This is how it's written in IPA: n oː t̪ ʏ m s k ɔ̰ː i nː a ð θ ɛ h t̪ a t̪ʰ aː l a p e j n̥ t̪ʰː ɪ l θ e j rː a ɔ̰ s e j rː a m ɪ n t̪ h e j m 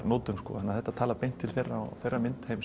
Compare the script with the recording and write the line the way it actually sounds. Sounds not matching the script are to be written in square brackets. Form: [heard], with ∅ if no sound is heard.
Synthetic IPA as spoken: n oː t̪ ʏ m s k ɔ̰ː [a] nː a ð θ ɛ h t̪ a t̪ʰ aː l a p e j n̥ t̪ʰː ɪ l θ e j rː a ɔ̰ [θ] e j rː a m ɪ n t̪ h e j m